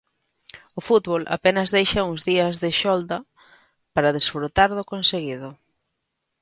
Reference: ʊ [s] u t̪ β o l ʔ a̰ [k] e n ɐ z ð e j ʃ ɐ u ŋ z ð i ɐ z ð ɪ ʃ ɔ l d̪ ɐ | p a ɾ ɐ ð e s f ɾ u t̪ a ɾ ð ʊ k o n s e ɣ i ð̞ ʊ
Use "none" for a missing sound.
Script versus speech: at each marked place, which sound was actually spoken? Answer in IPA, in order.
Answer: f, p

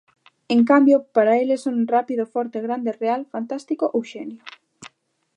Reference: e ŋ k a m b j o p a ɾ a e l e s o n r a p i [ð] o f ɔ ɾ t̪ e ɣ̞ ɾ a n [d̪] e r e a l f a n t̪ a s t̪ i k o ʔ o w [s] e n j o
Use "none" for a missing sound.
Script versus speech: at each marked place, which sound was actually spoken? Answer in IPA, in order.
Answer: ð, d̪, ʃ

